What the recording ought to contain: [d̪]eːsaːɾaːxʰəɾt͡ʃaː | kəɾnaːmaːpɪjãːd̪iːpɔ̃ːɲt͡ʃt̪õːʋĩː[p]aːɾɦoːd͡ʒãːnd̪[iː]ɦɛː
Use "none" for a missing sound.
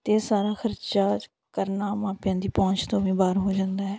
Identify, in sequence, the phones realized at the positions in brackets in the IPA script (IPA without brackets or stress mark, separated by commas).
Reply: t̪, b, aː